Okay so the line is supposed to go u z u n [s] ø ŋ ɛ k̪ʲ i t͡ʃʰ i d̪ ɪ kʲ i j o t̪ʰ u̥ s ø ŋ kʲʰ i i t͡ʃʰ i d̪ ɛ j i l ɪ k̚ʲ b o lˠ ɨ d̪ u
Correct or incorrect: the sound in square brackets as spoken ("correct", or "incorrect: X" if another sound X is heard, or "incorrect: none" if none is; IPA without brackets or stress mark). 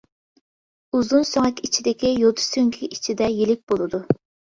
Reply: correct